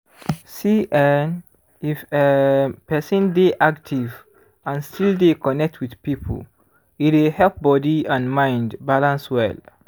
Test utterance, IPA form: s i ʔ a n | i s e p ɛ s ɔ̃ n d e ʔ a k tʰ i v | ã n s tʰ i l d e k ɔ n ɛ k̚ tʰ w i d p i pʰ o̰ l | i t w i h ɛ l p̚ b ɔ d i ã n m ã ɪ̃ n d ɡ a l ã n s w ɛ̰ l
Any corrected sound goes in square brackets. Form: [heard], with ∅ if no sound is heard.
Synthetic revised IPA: s i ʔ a n | i [f] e p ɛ s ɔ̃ n d e ʔ a k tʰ i v | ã n s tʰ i l d e k ɔ n ɛ k̚ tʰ w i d p i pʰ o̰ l | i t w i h ɛ l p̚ b ɔ d i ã n m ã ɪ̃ n d [b] a l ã n s w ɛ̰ l

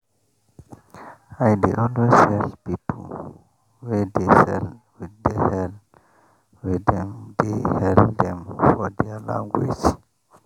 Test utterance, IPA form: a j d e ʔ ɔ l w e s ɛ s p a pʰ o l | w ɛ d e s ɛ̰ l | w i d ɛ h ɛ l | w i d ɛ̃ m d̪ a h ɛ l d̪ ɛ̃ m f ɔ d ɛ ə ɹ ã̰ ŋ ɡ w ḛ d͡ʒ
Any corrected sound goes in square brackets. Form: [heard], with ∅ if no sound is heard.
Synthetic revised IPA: a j d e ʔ ɔ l w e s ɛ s p [i] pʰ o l | w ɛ d e s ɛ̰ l | w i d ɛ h ɛ l | w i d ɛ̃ m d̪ [e] h ɛ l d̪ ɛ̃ m f ɔ d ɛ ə [l] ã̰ ŋ ɡ w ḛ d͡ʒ

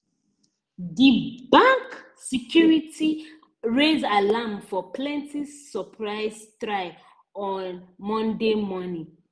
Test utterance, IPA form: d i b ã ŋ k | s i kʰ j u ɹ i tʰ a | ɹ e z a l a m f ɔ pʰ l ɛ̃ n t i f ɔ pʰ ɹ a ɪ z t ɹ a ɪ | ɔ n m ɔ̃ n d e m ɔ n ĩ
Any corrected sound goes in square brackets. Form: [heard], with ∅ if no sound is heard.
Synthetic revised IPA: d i b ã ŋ k | s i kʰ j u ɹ i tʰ [i] | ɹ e z a l a m f ɔ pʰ l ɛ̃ n t i [s] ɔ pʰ ɹ a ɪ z t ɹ a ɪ | ɔ n m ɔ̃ n d e m ɔ n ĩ

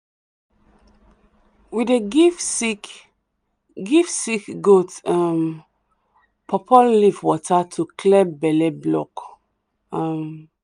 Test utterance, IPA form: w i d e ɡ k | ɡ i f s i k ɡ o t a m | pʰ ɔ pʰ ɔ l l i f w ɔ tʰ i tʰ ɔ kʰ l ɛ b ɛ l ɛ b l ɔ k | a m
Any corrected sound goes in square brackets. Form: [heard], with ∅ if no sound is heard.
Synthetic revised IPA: w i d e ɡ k | ɡ i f s i k ɡ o t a m | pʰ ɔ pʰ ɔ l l i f w ɔ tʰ [a] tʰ [u] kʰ l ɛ b ɛ l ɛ b l ɔ k | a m

